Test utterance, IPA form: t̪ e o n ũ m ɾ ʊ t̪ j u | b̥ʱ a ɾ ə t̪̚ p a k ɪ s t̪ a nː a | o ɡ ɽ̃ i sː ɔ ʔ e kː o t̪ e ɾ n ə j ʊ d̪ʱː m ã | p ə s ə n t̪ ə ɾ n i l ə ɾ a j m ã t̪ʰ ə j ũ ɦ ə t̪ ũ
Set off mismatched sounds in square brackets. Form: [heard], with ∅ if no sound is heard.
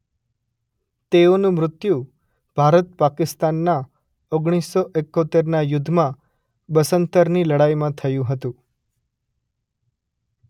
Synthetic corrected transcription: t̪ e o n ũ m ɾ ʊ t̪ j u | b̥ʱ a ɾ ə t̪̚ p a k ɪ s t̪ a nː a | o ɡ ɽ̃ i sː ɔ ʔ e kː o t̪ e ɾ n [a] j ʊ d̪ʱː m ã | [b] ə s ə n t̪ ə ɾ n i l ə [ɽ] a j m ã t̪ʰ ə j ũ ɦ ə t̪ ũ